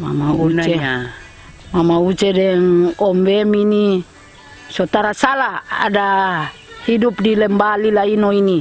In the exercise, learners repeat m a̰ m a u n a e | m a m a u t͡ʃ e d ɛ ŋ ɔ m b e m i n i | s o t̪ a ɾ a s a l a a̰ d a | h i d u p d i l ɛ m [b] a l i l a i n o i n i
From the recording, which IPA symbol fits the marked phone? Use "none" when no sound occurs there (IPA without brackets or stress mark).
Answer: b